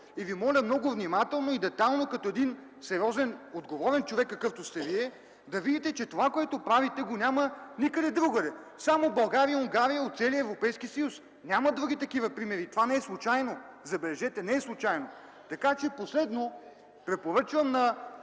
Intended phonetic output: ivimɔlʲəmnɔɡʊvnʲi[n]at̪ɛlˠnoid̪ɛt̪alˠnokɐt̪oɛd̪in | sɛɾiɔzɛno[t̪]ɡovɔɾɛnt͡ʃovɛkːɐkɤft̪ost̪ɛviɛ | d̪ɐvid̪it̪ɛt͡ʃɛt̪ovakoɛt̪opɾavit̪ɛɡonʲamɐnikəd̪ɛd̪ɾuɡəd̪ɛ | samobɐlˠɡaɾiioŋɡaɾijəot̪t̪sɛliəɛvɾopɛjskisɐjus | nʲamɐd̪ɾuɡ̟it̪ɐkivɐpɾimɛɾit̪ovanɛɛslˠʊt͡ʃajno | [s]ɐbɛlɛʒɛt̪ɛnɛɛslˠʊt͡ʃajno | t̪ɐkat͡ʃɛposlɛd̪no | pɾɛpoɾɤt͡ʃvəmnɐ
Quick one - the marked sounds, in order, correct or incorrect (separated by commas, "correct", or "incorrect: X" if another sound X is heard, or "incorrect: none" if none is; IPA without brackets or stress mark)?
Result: incorrect: m, incorrect: d̪, incorrect: z